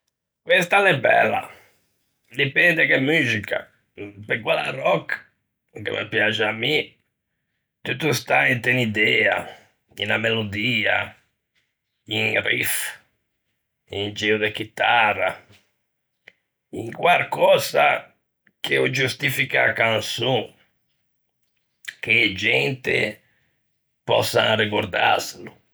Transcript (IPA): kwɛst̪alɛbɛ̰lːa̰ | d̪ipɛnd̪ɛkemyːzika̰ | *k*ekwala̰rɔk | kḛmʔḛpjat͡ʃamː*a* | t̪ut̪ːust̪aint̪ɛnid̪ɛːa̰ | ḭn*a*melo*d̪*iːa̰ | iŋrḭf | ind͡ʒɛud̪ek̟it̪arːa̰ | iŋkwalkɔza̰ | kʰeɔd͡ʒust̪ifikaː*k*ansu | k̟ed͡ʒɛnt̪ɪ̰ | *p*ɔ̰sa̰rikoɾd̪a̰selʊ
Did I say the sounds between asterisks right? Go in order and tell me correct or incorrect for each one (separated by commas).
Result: incorrect, incorrect, correct, correct, correct, correct